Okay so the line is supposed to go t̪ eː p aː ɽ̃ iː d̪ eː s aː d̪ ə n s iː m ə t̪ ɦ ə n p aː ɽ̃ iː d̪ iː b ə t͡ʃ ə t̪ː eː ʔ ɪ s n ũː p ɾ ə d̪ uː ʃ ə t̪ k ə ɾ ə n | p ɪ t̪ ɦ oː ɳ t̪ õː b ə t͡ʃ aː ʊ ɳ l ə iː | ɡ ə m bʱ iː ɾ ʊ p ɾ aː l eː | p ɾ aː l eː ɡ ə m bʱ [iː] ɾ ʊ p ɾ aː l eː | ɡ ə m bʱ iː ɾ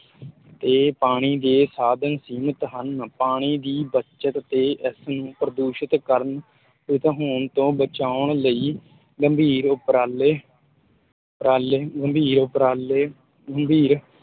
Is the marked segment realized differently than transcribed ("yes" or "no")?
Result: no